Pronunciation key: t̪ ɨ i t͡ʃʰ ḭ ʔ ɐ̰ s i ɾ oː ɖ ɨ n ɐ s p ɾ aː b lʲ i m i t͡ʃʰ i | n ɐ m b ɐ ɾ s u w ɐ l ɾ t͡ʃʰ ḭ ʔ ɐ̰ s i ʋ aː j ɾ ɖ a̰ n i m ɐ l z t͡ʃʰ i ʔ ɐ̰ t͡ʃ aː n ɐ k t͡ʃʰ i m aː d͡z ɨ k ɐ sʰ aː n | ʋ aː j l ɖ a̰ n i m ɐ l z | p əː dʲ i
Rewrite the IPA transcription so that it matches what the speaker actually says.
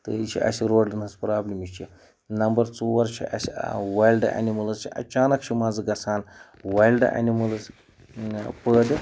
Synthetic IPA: t̪ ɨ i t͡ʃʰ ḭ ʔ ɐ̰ s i ɾ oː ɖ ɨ n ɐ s p ɾ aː b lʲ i m i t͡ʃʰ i | n ɐ m b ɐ ɾ t͡s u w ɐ ɾ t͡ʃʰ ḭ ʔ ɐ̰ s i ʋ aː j l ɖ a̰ n i m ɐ l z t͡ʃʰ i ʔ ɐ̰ t͡ʃ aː n ɐ k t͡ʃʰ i m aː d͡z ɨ ɡ ɐ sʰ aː n | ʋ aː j l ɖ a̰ n i m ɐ l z | p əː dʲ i

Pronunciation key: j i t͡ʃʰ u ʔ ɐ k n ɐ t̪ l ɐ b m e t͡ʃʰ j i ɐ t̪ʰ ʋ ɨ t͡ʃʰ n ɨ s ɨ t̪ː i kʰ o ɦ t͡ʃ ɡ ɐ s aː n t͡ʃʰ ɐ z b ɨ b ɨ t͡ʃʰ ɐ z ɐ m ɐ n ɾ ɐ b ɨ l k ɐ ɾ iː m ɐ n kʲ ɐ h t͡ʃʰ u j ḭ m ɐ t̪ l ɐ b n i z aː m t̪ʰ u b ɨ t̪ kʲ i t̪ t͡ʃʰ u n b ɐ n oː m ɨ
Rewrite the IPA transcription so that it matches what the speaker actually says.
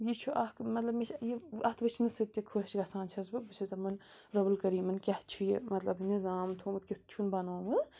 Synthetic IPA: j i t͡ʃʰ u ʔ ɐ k m ɐ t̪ l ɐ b m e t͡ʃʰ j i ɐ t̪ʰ ʋ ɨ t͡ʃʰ n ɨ s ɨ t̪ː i kʰ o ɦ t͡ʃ ɡ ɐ s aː n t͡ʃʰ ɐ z b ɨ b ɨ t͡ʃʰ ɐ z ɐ m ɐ n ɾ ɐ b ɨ l k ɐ ɾ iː m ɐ n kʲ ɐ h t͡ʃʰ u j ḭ m ɐ t̪ l ɐ b n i z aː m t̪ʰ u m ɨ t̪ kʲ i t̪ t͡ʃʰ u n b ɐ n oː m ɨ

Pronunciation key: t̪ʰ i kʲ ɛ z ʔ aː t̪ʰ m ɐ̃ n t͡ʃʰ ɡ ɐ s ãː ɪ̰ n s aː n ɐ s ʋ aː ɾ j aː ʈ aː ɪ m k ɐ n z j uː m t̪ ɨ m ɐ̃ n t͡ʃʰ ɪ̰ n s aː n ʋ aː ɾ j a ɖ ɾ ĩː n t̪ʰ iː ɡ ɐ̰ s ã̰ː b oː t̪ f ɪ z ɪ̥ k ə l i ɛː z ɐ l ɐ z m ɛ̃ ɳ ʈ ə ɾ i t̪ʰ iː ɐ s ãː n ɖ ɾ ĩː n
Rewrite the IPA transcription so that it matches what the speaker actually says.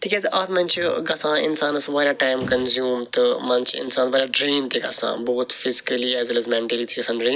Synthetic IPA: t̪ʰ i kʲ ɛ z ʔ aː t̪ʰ m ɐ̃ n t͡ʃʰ ɡ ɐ s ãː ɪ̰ n s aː n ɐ s ʋ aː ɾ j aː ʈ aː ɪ m k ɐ n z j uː m t̪ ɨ m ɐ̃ n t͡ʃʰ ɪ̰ n s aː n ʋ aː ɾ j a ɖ ɾ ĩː n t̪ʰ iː ɡ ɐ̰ s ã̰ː b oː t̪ f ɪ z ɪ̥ k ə l i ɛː z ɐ l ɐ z m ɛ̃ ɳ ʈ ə l i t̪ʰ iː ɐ s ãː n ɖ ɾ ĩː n

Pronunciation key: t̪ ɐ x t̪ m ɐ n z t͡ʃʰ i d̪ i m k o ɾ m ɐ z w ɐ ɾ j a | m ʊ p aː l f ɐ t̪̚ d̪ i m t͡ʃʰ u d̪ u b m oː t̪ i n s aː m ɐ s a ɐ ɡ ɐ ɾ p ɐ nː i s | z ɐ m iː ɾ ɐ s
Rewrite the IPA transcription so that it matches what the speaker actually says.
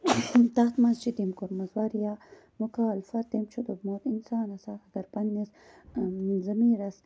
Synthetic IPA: t̪ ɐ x t̪ m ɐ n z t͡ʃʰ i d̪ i m k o ɾ m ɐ z w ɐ ɾ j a | m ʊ k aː l f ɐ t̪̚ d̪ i m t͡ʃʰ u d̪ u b m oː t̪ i n s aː n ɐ s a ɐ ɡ ɐ ɾ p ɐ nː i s | z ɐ m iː ɾ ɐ s

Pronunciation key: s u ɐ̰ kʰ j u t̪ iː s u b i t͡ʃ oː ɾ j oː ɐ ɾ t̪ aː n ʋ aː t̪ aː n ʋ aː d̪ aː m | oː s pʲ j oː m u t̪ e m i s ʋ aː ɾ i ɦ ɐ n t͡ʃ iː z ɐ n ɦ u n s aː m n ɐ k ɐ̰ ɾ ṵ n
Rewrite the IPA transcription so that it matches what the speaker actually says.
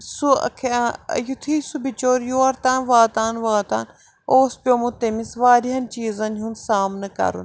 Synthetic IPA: s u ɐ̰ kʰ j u t̪ʰ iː s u b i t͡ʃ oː ɾ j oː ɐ ɾ t̪ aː n ʋ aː t̪ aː n ʋ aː t̪ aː n | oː s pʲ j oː m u t̪ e m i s ʋ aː ɾ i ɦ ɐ n t͡ʃ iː z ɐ n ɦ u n s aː m n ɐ k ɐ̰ ɾ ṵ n

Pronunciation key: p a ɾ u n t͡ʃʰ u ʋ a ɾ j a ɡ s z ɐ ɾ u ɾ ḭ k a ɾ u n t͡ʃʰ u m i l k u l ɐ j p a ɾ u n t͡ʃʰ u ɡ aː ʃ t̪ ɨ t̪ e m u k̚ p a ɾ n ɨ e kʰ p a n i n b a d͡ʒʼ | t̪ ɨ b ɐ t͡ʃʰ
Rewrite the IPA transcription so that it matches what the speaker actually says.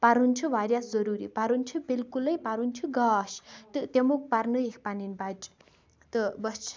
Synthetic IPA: p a ɾ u n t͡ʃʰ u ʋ a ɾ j a s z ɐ ɾ u ɾ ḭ p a ɾ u n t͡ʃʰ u b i l k u l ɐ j p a ɾ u n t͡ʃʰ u ɡ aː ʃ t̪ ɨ t̪ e m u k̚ p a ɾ n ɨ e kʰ p a n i n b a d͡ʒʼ | t̪ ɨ b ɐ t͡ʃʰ

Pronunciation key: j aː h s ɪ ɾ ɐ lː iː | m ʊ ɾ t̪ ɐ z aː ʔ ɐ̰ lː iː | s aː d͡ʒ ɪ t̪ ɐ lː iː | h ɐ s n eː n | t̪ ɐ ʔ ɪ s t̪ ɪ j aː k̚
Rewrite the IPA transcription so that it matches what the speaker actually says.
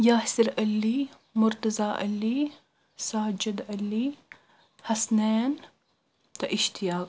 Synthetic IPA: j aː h s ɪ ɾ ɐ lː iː | m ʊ ɾ t̪ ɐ z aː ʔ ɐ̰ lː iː | s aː d͡ʒ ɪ d̪ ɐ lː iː | h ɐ s n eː n | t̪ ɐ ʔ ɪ ʃ t̪ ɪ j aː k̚

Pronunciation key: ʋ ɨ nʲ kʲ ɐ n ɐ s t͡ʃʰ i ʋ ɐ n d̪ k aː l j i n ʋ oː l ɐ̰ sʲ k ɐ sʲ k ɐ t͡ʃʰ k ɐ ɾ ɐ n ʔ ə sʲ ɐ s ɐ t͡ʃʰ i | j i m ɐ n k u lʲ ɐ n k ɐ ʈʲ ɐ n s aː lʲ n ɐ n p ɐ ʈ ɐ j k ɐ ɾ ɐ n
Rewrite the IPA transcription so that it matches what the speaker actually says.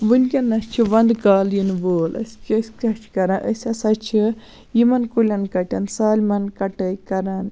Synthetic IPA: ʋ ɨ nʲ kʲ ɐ n ɐ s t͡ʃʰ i ʋ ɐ n d̪ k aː l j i n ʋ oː l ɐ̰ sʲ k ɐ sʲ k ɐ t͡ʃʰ k ɐ ɾ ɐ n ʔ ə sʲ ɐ s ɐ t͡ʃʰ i | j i m ɐ n k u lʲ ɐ n k ɐ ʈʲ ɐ n s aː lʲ m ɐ n k ɐ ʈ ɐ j k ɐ ɾ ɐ n

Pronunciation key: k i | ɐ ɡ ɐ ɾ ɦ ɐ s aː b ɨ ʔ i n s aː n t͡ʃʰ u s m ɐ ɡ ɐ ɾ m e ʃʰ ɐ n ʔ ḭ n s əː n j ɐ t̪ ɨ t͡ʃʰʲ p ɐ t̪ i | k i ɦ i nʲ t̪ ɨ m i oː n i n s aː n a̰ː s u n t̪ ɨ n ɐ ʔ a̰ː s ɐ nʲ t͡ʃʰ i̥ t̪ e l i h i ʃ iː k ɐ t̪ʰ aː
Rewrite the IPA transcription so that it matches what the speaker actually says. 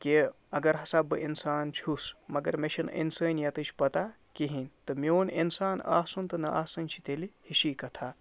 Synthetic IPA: k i | ɐ ɡ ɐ ɾ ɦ ɐ s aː b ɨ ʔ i n s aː n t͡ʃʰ u s m ɐ ɡ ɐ ɾ m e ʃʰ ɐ n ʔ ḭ n s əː n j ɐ t̪ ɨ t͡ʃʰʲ p ɐ t̪ a | k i ɦ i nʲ t̪ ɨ m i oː n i n s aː n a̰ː s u n t̪ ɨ n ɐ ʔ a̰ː s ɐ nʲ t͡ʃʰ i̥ t̪ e l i h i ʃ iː k ɐ t̪ʰ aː

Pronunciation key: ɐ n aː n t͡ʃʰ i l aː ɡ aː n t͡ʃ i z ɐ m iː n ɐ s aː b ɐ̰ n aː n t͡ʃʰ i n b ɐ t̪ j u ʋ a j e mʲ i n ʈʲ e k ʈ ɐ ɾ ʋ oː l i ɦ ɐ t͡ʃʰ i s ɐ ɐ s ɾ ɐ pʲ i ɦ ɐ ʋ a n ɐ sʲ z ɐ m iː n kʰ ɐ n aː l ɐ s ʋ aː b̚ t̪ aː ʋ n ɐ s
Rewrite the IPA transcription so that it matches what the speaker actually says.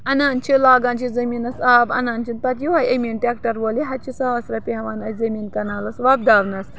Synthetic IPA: ɐ n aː n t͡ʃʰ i l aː ɡ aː n t͡ʃ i z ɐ m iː n ɐ s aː b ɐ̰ n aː n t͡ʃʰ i n p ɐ t̪ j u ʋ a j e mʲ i n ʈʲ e k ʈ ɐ ɾ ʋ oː l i ɦ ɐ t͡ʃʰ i s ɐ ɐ s ɾ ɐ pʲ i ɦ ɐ ʋ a n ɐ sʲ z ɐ m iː n k ɐ n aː l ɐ s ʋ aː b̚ d̪ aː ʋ n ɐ s

